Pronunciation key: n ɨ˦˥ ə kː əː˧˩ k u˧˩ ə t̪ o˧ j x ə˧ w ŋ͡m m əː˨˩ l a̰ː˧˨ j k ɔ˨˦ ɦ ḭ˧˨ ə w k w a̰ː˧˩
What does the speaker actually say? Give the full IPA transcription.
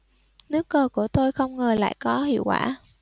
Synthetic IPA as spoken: n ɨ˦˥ ə kː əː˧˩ k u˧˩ ə t̪ o˧ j x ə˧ w ŋ͡m ŋ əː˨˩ l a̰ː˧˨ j k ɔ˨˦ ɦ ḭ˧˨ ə w k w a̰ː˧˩